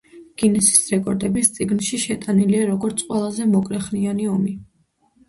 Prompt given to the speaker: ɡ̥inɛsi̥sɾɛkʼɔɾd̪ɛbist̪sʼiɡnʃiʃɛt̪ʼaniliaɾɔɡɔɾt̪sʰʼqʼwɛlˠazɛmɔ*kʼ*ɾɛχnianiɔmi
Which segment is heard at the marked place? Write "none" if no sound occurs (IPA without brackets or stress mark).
kʼ